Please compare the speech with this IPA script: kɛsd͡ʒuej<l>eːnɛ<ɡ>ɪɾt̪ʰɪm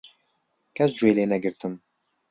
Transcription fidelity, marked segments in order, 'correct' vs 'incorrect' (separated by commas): correct, correct